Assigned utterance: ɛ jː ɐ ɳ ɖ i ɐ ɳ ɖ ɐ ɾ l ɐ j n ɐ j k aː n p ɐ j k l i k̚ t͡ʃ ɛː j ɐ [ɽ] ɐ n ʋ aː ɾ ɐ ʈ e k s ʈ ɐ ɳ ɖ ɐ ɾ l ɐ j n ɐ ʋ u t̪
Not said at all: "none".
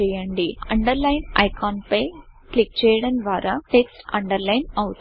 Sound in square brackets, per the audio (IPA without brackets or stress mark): ɽ